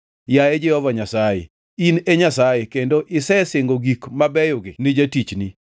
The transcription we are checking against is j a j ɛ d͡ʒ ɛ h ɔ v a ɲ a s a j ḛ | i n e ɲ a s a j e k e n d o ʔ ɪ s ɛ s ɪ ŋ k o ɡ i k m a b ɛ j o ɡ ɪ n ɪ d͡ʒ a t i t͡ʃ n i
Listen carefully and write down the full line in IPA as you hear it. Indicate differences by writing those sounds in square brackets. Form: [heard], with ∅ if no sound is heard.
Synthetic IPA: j a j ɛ d͡ʒ ɛ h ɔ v a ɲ a s a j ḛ | i n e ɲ a s a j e k e n d o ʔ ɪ s ɛ s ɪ ŋ [ɡ] o ɡ i k m a b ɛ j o ɡ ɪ n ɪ d͡ʒ a t i t͡ʃ n i